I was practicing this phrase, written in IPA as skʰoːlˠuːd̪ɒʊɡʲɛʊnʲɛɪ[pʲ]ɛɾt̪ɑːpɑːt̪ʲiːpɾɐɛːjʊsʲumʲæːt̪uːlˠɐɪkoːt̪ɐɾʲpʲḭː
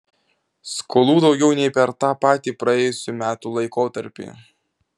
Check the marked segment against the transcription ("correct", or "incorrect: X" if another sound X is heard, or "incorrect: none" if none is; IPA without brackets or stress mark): correct